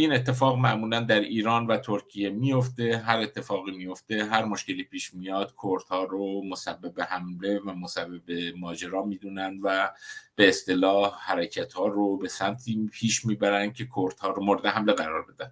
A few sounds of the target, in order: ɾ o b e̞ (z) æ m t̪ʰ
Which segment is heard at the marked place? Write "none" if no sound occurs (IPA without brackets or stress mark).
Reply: s